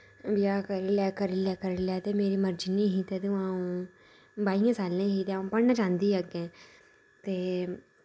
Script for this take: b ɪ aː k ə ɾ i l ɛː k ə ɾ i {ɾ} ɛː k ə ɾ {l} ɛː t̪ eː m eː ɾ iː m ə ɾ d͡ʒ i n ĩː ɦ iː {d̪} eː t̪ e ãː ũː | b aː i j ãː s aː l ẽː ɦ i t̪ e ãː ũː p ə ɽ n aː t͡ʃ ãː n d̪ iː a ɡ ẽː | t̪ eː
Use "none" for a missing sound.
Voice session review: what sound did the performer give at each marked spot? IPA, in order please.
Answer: l, l, t̪

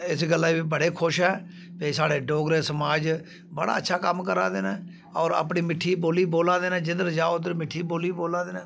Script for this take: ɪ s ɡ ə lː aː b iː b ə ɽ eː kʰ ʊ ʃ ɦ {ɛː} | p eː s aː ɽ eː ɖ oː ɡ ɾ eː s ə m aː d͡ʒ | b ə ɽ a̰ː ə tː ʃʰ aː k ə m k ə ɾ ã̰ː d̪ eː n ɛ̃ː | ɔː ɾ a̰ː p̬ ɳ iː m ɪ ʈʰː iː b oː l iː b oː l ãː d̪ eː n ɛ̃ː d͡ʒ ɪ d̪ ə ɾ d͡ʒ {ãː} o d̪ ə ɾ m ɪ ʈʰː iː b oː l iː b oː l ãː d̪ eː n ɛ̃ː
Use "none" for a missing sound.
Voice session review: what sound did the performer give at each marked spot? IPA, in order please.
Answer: ɛː, aː

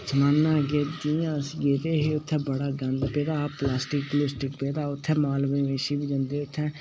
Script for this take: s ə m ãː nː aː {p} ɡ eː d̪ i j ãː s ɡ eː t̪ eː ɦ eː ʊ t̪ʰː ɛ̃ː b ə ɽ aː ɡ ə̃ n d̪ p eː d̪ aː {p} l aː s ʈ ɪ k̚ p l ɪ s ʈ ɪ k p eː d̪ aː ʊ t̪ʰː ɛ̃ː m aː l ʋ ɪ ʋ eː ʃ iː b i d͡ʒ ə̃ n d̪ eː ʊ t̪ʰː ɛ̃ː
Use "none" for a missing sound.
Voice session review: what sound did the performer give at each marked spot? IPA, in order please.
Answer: none, p

